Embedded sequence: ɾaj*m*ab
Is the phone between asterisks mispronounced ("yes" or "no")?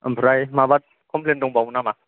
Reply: no